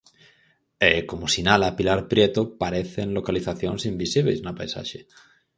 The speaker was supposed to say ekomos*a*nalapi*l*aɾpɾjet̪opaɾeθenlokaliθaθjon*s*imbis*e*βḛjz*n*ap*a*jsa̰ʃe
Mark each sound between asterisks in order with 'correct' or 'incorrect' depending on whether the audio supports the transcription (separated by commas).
incorrect, correct, correct, incorrect, correct, correct